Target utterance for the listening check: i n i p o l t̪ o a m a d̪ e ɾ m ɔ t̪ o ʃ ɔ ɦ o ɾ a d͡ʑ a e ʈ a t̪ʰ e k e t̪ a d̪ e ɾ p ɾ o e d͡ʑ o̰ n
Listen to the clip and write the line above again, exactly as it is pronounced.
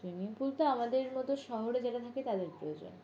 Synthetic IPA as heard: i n i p u l t̪ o a m a d̪ e ɾ m ɔ t̪ o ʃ ɔ ɦ o ɾ e d͡ʑ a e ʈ a t̪ʰ a k e t̪ a d̪ e ɾ p ɾ o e d͡ʑ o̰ n